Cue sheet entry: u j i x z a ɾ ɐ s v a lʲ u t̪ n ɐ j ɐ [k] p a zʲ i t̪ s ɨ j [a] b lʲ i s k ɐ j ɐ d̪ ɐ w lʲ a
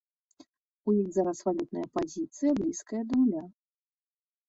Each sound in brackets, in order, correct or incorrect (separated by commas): incorrect, incorrect